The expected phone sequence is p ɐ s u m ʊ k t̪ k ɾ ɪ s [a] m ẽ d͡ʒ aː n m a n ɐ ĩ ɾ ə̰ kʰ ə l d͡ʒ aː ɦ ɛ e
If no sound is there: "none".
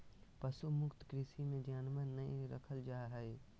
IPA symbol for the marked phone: i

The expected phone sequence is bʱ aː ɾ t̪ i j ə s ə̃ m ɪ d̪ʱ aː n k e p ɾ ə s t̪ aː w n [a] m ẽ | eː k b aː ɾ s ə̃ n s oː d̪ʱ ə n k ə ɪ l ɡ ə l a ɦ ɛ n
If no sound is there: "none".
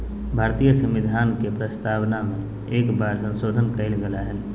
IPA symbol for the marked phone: a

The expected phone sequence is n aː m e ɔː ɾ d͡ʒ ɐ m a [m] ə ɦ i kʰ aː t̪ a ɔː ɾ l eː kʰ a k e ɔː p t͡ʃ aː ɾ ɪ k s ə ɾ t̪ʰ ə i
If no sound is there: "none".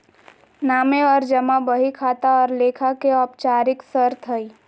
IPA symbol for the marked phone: b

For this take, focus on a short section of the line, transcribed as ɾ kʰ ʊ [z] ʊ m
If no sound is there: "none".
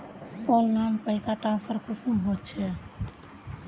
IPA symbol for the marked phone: s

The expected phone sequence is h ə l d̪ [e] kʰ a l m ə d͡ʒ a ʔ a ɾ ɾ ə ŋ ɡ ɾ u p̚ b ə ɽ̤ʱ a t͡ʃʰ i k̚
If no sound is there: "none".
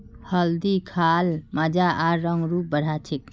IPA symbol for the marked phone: i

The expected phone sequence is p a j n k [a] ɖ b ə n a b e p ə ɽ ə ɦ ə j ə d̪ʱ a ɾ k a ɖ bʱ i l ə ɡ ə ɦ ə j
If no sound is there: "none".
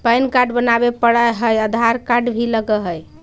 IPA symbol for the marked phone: a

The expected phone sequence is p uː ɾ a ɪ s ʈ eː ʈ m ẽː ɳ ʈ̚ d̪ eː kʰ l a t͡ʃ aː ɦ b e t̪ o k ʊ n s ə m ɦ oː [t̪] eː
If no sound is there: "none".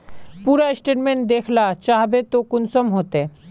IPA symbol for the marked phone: t̪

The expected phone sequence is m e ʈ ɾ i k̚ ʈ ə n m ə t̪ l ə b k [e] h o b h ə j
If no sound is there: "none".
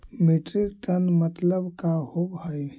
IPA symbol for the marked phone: a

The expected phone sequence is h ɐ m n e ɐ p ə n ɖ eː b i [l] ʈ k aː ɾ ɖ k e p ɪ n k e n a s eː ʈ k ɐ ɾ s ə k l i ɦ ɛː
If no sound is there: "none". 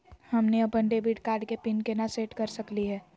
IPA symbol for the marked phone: none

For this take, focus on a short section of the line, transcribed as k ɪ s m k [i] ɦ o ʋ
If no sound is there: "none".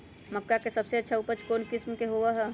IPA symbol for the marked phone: e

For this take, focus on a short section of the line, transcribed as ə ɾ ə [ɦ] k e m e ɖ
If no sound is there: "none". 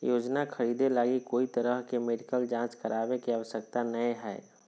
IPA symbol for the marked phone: ɦ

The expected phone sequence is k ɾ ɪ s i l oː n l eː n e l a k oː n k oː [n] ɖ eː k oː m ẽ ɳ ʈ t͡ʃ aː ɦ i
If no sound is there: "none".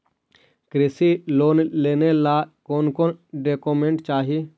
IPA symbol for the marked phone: n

